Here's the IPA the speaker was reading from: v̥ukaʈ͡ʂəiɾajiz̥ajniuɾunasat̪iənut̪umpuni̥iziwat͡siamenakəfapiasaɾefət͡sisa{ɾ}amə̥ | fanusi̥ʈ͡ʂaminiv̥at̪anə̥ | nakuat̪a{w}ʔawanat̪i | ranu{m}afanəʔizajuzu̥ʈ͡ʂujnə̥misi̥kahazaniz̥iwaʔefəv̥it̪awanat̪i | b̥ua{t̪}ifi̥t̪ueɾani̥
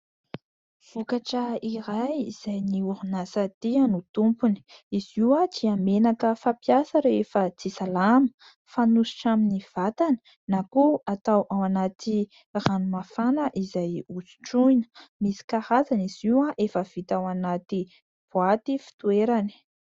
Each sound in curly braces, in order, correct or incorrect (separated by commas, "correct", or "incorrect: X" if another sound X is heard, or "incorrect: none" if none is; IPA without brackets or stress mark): incorrect: l, correct, correct, correct